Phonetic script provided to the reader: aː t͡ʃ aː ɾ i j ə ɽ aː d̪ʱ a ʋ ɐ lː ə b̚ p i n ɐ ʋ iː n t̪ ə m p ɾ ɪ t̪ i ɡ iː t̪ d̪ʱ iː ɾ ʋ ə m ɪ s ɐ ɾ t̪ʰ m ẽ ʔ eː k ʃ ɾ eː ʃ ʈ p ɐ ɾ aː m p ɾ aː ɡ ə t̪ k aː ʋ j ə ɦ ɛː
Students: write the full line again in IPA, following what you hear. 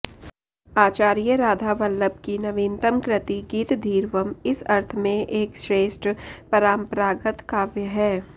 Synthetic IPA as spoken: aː t͡ʃ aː ɾ i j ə ɾ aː d̪ʱ a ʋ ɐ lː ə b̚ k i n ɐ ʋ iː n t̪ ə m k ɾ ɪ t̪ i ɡ iː t̪ d̪ʱ iː ɾ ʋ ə m ɪ s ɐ ɾ t̪ʰ m ẽ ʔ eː k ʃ ɾ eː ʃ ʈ p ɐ ɾ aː m p ɾ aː ɡ ə t̪ k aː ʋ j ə ɦ ɛː